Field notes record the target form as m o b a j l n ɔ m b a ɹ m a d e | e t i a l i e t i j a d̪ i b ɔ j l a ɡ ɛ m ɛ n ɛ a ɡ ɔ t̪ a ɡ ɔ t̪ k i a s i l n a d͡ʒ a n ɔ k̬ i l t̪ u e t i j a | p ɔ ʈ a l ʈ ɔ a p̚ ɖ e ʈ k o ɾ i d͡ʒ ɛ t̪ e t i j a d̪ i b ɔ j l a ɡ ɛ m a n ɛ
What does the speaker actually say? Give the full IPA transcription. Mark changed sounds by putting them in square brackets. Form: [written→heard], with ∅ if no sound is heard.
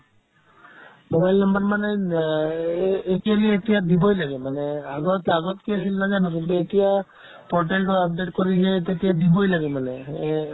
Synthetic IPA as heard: m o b a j l n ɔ m b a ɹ m a [d→n] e | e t i a l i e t i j a d̪ i b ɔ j l a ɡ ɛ m [ɛ→a] n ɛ a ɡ ɔ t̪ a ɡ ɔ t̪ k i a s i l n a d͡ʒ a n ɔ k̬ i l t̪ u e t i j a | p ɔ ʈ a l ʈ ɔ a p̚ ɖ e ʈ k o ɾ i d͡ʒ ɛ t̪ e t i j a d̪ i b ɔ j l a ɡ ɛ m a n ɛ